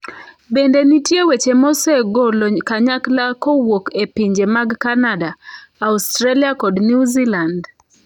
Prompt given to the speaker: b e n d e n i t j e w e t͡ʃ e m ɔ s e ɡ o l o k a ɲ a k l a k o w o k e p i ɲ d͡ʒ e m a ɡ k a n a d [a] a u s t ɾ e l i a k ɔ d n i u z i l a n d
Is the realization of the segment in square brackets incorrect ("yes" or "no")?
no